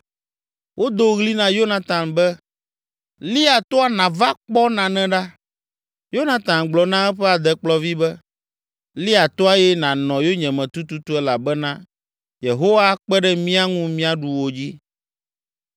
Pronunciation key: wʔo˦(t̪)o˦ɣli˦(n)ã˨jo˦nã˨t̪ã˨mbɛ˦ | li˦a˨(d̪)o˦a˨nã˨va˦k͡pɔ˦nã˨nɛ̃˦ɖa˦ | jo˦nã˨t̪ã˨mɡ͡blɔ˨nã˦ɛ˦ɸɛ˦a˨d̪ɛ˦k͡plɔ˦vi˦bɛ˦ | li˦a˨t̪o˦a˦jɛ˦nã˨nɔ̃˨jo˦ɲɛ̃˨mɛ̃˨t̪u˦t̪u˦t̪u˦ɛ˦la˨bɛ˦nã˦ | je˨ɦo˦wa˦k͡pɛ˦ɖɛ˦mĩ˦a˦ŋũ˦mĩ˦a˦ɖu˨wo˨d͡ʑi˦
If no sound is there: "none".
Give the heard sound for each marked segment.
d̪, n, t̪

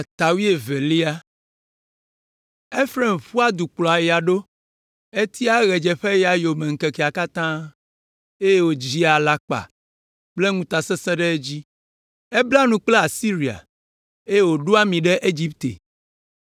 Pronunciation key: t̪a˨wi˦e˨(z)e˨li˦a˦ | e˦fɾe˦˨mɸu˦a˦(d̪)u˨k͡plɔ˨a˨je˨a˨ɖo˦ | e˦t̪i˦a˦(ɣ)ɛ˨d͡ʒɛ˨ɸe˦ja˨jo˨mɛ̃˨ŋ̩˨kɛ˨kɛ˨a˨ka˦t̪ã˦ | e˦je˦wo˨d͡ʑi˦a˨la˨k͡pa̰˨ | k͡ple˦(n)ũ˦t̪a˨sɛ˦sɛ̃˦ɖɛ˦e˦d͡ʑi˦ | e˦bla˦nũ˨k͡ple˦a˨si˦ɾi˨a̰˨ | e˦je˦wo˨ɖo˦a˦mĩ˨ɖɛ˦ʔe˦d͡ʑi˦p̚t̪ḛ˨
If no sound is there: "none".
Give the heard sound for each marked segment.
v, d̪, ɣ, ŋ

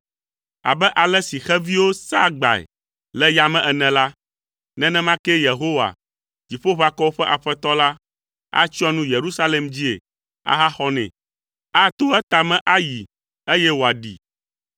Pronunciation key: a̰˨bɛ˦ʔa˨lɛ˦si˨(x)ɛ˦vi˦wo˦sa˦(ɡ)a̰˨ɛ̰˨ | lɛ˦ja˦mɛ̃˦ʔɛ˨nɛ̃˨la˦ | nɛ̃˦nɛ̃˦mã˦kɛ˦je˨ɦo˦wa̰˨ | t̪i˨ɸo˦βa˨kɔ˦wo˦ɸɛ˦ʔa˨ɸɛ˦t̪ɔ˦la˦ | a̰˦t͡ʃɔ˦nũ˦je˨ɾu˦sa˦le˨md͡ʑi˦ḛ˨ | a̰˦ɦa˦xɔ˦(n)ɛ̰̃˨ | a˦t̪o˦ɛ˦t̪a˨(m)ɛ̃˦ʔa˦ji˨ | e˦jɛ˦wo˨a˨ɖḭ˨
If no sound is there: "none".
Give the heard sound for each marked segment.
x, ɡ͡b, n, m

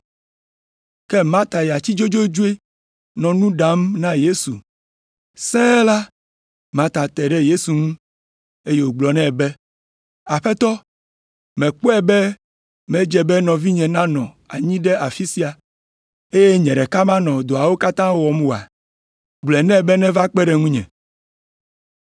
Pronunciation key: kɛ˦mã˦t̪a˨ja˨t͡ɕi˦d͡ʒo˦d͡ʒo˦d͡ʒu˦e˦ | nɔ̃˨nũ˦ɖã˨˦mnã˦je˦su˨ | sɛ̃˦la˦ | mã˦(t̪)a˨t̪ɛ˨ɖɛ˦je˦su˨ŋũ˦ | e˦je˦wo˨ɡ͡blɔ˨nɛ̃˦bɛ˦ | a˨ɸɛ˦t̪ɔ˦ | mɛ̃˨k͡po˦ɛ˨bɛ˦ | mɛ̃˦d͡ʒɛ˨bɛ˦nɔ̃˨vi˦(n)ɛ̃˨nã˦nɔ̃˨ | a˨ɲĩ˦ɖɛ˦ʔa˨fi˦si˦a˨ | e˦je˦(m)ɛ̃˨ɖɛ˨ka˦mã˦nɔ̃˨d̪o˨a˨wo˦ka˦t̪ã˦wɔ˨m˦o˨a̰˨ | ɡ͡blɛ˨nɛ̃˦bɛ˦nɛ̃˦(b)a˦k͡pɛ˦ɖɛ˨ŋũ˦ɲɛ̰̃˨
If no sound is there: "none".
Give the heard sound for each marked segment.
t̪, ɲ, ɲ, v

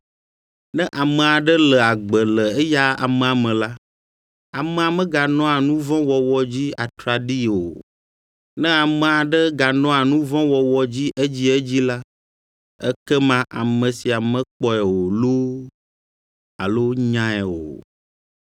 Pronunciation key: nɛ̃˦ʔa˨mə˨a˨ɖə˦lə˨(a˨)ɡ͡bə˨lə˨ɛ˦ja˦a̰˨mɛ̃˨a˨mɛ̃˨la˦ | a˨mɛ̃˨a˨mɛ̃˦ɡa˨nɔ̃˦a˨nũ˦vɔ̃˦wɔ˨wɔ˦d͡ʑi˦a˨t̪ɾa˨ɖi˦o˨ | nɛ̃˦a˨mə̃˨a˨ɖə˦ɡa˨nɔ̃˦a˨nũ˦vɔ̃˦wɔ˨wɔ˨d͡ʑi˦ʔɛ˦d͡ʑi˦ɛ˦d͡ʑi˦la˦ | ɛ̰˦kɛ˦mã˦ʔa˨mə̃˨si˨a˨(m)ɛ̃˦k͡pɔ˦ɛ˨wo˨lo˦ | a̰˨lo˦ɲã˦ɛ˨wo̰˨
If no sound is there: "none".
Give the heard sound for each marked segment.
a˨, m

